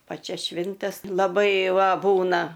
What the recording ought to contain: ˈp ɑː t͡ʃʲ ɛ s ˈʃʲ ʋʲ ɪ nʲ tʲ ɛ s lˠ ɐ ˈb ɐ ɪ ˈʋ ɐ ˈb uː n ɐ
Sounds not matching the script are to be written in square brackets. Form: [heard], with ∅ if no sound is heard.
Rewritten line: ˈp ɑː t͡ʃʲ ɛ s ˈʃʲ ʋʲ ɪ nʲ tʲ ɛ s lˠ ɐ ˈb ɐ ɪ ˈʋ ɐ ˈb uː n ɐ